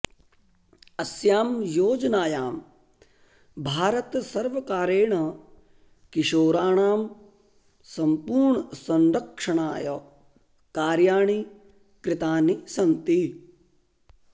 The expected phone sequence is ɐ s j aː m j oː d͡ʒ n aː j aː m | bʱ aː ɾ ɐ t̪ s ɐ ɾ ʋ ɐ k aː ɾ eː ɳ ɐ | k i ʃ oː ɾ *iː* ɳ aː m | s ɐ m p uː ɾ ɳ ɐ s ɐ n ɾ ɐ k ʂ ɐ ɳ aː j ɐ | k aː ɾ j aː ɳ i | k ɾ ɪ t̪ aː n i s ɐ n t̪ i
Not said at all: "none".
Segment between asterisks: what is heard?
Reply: aː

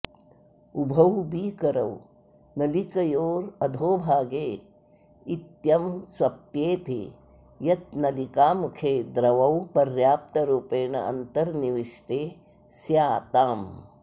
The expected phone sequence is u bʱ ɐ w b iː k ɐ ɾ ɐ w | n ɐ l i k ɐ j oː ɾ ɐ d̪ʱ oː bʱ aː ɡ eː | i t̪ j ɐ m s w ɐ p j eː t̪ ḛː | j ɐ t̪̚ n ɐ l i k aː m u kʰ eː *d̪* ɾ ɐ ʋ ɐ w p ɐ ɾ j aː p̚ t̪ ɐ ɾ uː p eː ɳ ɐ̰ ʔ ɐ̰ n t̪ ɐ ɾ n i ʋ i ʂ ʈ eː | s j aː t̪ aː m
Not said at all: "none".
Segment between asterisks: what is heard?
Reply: d̪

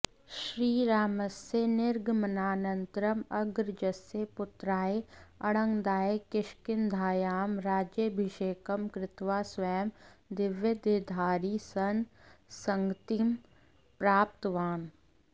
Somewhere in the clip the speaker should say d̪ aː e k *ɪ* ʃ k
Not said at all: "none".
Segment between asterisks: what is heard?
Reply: ɪ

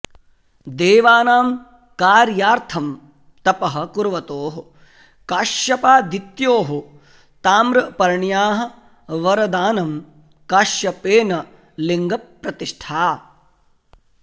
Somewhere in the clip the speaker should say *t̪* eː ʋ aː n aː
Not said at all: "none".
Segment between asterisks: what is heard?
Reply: d̪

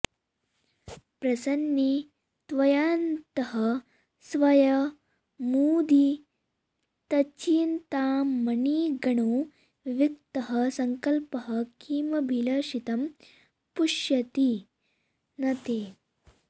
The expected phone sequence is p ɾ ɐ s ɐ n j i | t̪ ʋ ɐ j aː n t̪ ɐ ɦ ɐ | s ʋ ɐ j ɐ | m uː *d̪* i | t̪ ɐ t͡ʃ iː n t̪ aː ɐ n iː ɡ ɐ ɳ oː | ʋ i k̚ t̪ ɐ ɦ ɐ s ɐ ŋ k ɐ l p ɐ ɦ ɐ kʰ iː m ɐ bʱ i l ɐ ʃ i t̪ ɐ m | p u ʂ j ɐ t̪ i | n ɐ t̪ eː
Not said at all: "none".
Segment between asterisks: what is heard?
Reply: d̪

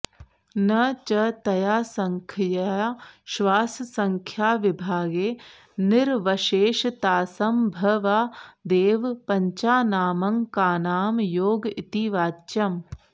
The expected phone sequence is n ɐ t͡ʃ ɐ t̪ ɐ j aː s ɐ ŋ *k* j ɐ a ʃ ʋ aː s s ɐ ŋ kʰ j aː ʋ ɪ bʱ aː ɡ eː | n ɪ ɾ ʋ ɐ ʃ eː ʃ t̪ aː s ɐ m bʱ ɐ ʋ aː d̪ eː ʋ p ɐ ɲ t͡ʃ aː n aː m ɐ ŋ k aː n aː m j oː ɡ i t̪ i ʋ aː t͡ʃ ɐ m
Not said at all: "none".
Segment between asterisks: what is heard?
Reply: kʰ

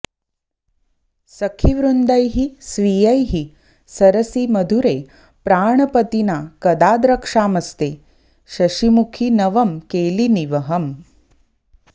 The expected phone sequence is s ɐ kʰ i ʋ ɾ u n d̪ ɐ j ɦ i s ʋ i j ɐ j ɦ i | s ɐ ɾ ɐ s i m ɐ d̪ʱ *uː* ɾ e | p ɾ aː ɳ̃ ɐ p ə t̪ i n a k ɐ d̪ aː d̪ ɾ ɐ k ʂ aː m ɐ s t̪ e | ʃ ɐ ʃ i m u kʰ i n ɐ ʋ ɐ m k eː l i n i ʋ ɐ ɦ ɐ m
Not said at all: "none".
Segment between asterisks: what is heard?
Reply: u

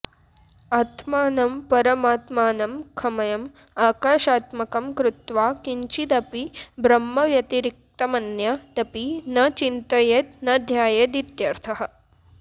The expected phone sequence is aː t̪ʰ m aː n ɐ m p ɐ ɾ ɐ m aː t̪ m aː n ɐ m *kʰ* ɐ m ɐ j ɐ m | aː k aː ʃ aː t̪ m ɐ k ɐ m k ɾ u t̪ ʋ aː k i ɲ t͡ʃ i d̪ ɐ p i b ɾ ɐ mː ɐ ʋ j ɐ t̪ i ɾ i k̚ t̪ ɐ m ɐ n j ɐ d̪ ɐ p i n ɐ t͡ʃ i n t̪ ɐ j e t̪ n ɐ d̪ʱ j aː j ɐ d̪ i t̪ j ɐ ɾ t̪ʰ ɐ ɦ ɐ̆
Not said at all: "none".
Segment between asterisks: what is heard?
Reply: kʰ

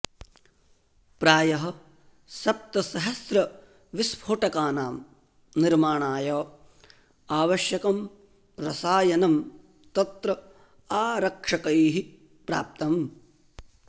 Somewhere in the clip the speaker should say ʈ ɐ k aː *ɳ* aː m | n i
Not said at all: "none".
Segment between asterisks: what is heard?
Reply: n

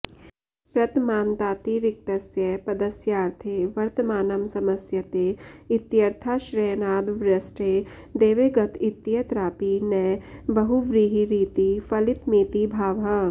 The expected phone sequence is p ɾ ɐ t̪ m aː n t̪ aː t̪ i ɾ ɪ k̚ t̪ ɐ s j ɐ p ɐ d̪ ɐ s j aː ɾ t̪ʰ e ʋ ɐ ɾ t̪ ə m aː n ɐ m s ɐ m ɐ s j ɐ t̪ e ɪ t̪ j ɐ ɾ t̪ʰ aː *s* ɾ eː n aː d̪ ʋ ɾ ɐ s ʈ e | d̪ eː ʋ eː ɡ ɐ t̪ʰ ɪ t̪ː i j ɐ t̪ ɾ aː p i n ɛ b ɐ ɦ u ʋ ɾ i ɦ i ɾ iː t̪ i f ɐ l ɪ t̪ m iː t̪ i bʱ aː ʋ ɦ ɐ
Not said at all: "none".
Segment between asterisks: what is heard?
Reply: ʃ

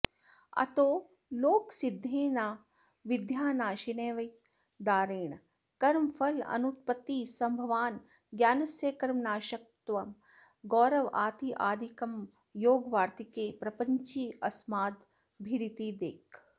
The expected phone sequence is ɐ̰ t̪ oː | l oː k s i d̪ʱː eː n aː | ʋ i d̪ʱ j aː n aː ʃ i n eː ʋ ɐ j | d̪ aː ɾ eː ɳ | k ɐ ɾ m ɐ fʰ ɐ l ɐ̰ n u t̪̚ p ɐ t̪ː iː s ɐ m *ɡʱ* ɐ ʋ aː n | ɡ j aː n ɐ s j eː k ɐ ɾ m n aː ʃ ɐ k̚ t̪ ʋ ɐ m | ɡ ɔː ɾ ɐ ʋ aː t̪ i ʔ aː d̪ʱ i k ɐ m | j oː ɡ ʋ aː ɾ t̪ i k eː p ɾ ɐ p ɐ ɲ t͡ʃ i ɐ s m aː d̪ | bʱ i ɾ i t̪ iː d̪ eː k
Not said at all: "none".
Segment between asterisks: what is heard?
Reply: bʱ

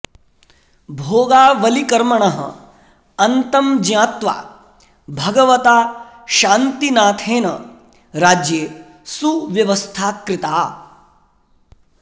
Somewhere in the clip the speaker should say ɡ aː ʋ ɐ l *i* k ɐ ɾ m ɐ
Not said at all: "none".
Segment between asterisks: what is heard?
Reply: i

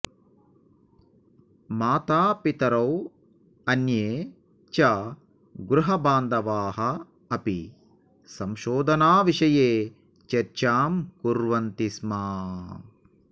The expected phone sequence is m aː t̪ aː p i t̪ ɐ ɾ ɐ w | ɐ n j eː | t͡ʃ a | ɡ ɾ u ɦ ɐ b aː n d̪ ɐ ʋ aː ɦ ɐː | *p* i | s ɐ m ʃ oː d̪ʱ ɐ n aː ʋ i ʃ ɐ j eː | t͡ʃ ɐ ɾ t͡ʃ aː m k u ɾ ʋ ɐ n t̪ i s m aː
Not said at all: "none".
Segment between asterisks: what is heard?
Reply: p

